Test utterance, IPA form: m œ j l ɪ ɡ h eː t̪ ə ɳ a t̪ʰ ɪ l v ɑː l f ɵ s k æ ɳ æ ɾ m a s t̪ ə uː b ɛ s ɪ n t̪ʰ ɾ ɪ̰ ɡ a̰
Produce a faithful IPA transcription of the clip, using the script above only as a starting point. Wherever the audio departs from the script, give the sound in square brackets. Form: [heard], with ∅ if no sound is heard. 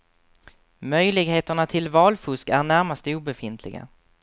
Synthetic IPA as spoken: m œ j l ɪ ɡ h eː t̪ ə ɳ a t̪ʰ ɪ l v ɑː l f ɵ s k æ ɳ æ ɾ m a s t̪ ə uː b ɛ [f] ɪ n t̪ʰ [l] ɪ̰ ɡ a̰